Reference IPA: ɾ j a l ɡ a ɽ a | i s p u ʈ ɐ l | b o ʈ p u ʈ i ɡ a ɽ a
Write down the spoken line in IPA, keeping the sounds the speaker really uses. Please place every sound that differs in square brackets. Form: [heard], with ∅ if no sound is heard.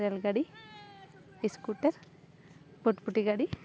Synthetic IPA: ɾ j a l ɡ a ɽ [i] | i s [k] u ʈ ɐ [ɾ] | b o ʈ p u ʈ i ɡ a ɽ [i]